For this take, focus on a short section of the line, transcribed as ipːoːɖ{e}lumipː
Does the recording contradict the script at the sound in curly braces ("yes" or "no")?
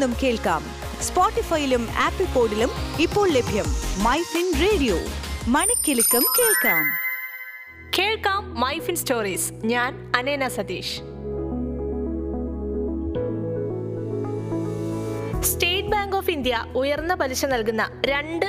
yes